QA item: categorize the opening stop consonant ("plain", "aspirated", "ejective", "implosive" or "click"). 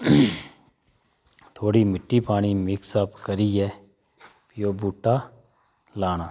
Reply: aspirated